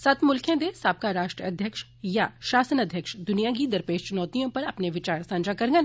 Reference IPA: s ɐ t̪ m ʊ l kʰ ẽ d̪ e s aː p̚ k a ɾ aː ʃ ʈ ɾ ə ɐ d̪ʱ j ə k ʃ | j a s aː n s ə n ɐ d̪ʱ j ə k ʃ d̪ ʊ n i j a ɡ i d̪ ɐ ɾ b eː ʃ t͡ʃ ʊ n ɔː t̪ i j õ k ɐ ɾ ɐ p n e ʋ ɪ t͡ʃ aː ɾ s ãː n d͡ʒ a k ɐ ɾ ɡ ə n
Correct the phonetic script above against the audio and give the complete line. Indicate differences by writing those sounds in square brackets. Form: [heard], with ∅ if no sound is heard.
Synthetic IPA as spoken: s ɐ t̪ m ʊ l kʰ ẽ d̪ e s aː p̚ k a ɾ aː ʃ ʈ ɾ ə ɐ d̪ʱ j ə k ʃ | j a [ʃ] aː [∅] s ə n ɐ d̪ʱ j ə k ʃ d̪ ʊ n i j a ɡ i d̪ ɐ ɾ [p] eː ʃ t͡ʃ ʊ n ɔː t̪ i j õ [p] ɐ ɾ ɐ p n e ʋ ɪ t͡ʃ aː ɾ s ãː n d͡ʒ a k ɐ ɾ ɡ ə n